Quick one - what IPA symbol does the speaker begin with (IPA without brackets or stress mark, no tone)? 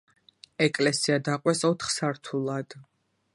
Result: ɛ